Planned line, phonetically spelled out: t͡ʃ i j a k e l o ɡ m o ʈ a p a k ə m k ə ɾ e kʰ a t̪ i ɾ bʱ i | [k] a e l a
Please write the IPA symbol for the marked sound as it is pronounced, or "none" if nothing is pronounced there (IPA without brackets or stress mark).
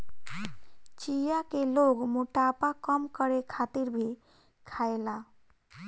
kʰ